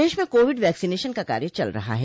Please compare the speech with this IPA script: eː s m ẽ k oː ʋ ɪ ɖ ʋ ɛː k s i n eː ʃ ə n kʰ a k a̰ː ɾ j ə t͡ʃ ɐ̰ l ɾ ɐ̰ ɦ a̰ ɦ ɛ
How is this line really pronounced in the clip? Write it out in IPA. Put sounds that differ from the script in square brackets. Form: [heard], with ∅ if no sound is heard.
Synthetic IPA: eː [ʃ] m ẽ k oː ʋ ɪ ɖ ʋ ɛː k s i n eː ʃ ə n [k] a k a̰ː ɾ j ə t͡ʃ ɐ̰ l ɾ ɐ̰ ɦ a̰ ɦ ɛ